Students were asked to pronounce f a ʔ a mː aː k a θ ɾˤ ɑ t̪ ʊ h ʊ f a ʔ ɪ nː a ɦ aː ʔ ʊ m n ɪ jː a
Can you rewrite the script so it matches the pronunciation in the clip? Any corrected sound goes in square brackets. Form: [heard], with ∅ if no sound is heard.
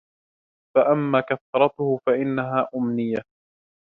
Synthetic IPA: f a ʔ a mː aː k a θ ɾˤ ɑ t̪ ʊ h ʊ f a ʔ ɪ nː a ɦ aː ʔ ʊ m n ɪ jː a